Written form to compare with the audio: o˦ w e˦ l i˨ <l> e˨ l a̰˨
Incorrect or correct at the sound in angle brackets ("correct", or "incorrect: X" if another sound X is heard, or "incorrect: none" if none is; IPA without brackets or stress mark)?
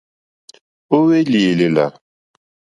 correct